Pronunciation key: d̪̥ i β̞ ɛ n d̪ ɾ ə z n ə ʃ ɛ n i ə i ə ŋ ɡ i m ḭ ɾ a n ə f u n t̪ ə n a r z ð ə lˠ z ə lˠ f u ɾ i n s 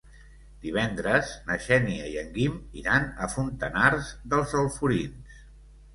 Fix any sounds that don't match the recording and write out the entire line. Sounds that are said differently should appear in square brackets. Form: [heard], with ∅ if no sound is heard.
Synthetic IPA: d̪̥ i β̞ ɛ n d̪ ɾ ə z n ə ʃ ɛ n i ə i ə ŋ ɡ i m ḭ ɾ a n ə f u n t̪ ə n a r z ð ə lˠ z ə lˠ f u ɾ i n s